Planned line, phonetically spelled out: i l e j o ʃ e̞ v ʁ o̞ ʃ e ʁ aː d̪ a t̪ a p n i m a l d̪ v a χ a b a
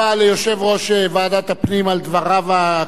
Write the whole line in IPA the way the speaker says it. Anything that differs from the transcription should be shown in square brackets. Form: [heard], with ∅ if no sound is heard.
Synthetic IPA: [a] l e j o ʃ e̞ v ʁ o̞ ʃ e [v] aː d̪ a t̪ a p n i m a l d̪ v a [ʁ] a [v] a